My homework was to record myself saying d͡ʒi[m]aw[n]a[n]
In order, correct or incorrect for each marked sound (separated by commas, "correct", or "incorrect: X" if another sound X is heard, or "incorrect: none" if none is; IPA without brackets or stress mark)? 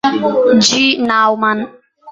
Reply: incorrect: n, incorrect: m, correct